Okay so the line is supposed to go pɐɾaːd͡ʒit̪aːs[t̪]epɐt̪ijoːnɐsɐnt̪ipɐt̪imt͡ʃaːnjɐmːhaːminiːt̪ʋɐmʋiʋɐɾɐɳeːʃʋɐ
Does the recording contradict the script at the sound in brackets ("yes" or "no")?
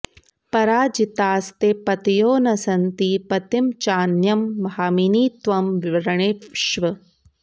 no